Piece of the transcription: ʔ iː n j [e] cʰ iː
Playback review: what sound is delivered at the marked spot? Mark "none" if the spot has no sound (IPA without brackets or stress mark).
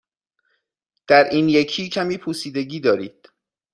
e